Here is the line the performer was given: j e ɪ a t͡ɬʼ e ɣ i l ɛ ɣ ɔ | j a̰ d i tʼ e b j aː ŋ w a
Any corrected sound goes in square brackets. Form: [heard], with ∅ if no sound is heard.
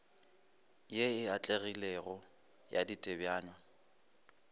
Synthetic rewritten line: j e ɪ a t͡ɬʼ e ɣ i l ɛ ɣ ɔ | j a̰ d i tʼ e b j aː [ɲ] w a